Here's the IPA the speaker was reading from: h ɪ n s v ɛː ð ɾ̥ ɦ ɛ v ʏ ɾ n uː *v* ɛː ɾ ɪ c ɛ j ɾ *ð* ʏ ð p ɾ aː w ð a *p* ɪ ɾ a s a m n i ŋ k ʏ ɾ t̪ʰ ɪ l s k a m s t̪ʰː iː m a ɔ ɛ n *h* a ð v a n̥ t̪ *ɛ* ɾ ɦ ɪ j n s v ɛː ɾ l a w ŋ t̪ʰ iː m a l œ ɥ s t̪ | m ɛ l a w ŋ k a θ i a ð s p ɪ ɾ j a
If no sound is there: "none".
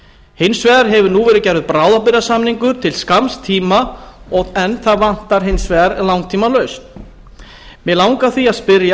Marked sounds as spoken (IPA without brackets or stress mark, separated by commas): v, v, p, θ, a